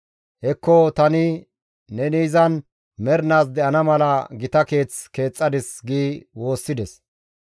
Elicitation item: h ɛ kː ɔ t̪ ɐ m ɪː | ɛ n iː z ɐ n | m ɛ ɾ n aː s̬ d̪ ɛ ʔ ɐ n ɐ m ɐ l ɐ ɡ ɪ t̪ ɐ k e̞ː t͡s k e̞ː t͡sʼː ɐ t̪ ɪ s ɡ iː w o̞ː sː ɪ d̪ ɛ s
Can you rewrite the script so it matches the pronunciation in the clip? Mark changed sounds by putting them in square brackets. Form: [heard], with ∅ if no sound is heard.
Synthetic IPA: h ɛ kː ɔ t̪ ɐ [n] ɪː | ɛ n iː z ɐ n | m ɛ ɾ n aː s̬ d̪ ɛ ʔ ɐ n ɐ m ɐ l ɐ ɡ ɪ t̪ ɐ k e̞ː t͡s k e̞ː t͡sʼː ɐ [d̪] ɪ s ɡ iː w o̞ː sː ɪ d̪ ɛ s